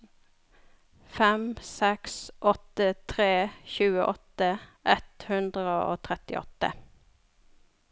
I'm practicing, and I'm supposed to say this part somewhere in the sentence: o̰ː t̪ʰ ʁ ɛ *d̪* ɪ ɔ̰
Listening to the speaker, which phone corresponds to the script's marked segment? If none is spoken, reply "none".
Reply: t̪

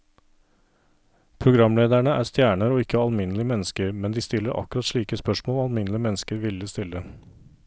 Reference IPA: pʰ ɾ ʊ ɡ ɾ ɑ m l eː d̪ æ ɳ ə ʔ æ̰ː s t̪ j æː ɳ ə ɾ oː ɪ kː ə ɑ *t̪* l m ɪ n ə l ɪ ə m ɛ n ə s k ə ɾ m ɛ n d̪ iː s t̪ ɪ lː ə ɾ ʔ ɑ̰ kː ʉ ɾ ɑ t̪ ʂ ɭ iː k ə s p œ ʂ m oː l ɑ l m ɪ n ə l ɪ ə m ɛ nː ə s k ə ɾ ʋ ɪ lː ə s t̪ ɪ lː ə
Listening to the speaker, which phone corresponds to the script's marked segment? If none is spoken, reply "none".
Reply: none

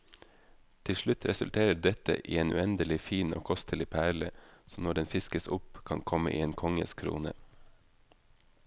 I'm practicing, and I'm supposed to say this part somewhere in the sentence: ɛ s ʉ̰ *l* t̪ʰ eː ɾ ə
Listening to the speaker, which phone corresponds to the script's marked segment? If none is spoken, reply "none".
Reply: l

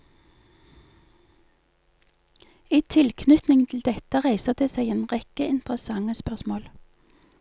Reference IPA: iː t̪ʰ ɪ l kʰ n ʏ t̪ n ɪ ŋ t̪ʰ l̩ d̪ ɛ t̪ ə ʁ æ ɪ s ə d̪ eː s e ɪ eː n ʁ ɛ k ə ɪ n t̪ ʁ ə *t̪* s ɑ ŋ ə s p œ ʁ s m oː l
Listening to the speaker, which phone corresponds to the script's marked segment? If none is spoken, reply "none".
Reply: none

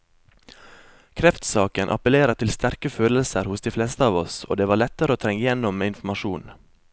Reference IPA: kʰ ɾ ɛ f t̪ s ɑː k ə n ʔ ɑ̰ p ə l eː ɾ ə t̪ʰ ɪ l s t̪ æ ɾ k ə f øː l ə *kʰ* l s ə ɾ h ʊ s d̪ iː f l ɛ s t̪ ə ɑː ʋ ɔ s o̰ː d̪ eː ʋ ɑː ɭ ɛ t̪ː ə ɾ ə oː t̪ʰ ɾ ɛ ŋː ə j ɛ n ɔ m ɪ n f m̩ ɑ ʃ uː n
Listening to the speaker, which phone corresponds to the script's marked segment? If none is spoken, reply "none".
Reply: none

